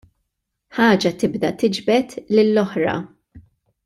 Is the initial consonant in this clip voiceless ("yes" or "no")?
yes